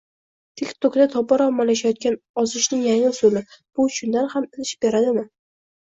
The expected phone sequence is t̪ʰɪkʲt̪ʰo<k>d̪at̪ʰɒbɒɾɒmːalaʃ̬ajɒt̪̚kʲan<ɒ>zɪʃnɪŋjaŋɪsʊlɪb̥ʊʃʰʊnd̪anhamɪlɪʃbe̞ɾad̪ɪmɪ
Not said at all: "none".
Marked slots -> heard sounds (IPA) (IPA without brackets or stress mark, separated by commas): k, ɒ